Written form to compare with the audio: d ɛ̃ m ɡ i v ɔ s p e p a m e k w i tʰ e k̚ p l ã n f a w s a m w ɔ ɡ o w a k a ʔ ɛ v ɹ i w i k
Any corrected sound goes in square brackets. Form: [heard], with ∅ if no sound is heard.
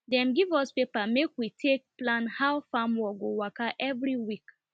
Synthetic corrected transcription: d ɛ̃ m ɡ i v ɔ s p e p a m e k w i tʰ e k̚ p l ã n [h] a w [f] a m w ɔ ɡ o w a k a ʔ ɛ v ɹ i w i k